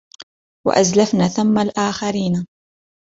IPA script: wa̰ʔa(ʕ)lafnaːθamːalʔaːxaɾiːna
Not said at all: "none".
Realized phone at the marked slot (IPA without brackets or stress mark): z